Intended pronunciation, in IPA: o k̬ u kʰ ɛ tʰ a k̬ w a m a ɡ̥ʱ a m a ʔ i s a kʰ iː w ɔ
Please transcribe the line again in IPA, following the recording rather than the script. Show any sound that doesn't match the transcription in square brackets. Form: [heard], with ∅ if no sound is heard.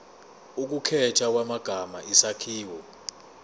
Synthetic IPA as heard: [u] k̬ u kʰ ɛ tʰ a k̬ w a m a ɡ̥ʱ a m a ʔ i s a kʰ iː w ɔ